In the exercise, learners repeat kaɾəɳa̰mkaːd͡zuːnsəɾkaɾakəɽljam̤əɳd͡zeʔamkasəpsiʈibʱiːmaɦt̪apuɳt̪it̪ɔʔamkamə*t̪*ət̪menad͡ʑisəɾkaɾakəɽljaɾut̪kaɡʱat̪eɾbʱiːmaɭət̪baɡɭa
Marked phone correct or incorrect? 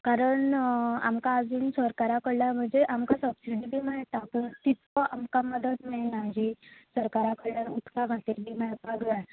incorrect